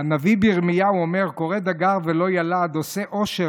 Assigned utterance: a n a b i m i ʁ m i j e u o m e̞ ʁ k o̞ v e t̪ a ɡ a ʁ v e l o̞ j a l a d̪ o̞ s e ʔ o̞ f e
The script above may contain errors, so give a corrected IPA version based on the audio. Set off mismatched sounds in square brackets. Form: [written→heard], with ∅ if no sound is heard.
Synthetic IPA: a n a [b→v] i [m→b] i ʁ m i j [e→a] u o m e̞ ʁ k o̞ [v→ʁ] e [t̪→d̪] a ɡ a ʁ v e l o̞ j a l a d̪ o̞ s e ʔ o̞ [f→ʃ] e